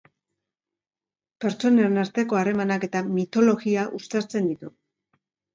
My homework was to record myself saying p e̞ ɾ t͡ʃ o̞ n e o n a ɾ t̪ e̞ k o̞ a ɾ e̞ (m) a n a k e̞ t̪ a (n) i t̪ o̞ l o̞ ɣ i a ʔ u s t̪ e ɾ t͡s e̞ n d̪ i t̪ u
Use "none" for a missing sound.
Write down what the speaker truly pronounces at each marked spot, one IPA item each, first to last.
m, m

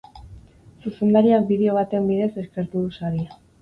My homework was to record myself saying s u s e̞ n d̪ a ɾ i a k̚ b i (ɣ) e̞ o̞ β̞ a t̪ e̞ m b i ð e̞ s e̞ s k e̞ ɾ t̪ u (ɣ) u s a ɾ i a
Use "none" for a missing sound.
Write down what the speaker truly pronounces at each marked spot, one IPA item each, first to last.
ð, ð

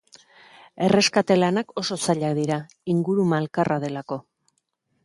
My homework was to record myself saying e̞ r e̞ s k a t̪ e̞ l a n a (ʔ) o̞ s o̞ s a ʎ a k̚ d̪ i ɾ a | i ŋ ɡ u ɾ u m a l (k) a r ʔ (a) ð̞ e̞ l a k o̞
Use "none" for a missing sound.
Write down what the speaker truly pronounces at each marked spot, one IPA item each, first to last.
k, k, a

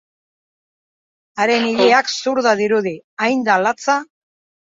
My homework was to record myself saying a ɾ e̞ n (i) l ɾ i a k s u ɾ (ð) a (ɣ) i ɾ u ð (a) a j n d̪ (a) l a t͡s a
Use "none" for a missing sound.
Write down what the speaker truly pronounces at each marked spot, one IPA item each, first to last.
i, ð, ð, i, a

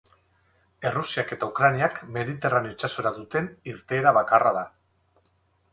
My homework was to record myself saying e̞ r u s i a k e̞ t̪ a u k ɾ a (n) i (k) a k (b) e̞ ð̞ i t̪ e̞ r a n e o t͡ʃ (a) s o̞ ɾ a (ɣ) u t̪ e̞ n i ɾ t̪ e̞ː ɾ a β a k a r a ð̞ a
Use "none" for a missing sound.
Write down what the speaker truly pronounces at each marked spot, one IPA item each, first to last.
n, none, m, a, ð

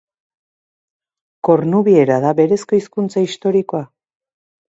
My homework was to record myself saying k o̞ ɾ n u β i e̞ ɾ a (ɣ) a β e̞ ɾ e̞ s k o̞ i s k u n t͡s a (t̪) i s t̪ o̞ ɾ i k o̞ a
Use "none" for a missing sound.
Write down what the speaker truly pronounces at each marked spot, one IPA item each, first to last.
ð, none

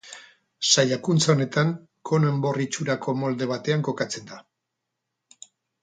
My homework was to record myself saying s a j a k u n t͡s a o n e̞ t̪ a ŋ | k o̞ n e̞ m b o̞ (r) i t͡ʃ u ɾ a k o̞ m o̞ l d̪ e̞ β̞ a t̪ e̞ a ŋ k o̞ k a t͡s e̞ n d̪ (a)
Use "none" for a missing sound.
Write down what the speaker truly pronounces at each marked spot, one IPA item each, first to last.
r, a

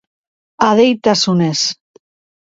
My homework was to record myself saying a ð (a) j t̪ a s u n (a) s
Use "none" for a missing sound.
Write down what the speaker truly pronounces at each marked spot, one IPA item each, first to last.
e, e

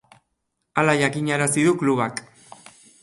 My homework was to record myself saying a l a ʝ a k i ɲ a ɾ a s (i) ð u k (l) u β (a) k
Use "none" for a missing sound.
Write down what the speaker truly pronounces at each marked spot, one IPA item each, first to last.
i, l, a

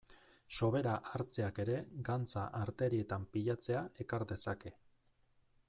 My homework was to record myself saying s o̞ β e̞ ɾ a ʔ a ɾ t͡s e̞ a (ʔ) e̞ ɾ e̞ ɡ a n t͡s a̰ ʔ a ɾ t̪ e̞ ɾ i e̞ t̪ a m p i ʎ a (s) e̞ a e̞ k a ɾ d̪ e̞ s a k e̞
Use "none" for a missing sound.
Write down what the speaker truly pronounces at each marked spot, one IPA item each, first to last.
k, t͡s

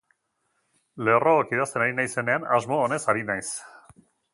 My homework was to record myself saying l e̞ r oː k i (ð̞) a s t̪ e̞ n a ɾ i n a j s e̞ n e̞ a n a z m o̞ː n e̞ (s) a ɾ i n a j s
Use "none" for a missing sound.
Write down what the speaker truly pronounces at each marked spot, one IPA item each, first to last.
ð̞, s

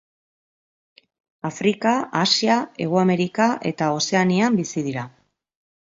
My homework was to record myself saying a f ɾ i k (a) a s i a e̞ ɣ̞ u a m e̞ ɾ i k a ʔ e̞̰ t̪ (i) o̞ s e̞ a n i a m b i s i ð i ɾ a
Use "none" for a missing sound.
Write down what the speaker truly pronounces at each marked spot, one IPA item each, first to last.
a, a

